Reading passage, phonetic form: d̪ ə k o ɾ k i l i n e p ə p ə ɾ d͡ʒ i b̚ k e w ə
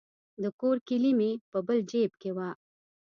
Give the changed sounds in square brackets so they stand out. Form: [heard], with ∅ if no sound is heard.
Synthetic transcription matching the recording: d̪ ə k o ɾ k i l i [m] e p ə [b] ə [l] d͡ʒ [e] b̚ k e w [a]